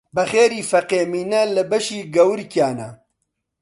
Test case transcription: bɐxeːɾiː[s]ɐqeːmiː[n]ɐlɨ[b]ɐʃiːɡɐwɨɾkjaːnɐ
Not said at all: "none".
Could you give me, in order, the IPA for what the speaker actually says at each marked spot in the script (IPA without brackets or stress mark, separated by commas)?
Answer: f, n, b